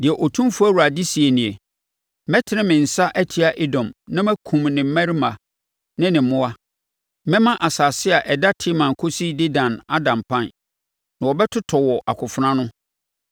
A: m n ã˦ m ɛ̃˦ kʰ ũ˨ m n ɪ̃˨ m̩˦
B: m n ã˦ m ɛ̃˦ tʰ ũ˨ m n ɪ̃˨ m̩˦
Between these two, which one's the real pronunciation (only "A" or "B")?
A